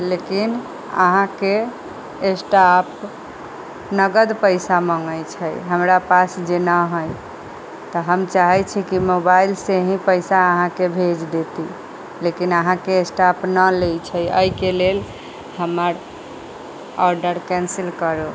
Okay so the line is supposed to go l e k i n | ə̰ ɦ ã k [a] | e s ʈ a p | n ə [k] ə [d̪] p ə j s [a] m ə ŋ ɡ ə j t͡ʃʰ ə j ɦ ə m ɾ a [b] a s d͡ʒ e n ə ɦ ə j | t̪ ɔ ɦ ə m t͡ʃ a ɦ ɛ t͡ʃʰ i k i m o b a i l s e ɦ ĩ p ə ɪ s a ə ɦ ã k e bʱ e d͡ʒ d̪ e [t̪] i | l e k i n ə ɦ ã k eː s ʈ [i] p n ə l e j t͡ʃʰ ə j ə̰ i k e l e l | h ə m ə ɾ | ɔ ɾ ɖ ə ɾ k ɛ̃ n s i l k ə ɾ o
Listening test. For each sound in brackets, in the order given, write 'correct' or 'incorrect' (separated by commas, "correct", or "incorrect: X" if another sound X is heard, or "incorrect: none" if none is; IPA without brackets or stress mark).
incorrect: e, incorrect: ɡ, correct, correct, incorrect: p, correct, incorrect: a